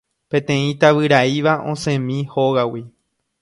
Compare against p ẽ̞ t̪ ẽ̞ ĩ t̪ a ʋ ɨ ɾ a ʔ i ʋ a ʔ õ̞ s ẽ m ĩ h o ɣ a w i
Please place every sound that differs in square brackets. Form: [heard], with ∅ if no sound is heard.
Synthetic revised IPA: p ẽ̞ t̪ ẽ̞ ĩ t̪ a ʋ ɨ ɾ a [∅] i ʋ a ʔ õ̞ s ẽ m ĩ h o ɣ a w i